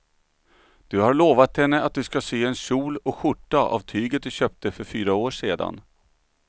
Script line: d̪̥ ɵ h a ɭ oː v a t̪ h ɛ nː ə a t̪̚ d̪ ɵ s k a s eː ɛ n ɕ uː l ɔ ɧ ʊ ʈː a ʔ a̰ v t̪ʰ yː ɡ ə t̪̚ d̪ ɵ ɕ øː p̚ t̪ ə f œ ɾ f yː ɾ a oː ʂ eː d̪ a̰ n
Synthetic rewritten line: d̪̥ ɵ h a ɭ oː v a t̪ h ɛ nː ə a t̪̚ d̪ ɵ s k a s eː ɛ n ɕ uː l ɔ ɧ ʊ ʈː a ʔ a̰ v t̪ʰ yː ɡ ə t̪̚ d̪ ɵ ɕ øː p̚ t̪ ə f œ ɾ f yː ɾ a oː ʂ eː d̪ a̰ n